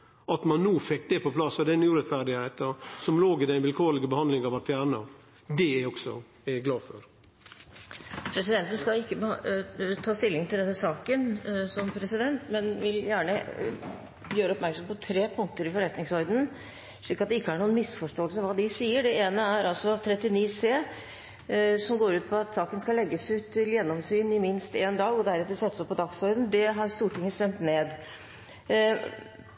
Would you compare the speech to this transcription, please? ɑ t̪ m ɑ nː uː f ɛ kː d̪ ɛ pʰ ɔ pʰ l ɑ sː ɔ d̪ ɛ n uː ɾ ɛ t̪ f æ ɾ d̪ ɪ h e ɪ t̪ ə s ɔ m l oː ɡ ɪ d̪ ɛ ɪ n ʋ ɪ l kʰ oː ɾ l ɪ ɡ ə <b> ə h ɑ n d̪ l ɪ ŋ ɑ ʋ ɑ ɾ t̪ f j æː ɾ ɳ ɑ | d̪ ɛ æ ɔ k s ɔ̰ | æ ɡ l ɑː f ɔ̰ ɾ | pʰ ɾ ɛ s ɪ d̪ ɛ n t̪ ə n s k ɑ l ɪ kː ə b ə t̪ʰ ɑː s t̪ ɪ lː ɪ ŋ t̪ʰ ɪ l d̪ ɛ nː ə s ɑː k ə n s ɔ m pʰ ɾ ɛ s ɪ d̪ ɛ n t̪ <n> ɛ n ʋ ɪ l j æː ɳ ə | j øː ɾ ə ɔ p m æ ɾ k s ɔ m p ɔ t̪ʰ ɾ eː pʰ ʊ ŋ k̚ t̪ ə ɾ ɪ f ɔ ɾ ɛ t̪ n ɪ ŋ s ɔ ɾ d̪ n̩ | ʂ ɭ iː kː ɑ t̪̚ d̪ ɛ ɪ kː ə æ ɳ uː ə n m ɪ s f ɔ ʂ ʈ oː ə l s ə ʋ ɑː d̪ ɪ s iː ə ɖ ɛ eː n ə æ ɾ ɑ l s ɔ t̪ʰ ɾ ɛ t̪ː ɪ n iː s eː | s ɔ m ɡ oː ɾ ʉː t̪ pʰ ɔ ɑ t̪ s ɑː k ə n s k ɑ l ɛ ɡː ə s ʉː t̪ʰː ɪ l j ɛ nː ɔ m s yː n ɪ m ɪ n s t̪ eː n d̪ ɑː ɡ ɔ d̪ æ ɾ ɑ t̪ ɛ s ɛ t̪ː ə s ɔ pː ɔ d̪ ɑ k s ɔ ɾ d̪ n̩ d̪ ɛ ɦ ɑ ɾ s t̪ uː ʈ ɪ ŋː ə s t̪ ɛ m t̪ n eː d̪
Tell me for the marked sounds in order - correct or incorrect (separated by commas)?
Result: correct, incorrect